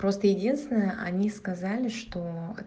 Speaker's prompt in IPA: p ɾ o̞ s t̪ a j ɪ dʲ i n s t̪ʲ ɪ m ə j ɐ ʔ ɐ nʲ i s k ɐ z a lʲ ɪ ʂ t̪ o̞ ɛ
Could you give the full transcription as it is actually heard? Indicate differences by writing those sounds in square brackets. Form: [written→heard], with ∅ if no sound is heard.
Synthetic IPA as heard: p ɾ o̞ s t̪ [a→ə] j ɪ dʲ i n s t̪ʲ ɪ [m→n] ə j [ɐ→ə] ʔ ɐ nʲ i s k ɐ z a lʲ ɪ ʂ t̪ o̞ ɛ